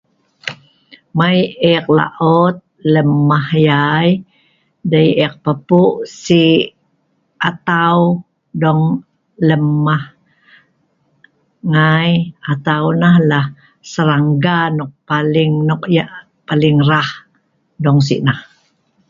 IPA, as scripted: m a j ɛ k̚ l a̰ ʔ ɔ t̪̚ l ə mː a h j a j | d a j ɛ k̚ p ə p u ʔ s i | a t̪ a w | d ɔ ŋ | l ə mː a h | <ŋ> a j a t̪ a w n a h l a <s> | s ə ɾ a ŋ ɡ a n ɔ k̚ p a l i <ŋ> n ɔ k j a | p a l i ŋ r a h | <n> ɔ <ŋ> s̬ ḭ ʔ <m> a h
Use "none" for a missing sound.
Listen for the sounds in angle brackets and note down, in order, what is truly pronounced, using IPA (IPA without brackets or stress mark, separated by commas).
ŋ, h, ŋ, d, ŋ, n